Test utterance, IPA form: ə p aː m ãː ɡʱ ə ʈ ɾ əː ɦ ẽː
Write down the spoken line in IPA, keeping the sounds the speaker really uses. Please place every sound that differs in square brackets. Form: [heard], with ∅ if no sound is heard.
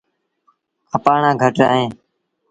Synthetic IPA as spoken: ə p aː [ɳ] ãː ɡʱ ə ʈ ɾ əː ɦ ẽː